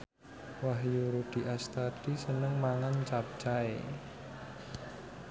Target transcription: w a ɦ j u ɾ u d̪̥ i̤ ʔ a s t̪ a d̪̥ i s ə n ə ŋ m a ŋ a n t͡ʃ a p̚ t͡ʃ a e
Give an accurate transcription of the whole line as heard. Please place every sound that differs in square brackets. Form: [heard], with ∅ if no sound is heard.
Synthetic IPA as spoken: w a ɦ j u ɾ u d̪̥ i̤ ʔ a s t̪ a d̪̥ i s ə n ə ŋ m a ŋ a n t͡ʃ a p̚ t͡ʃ a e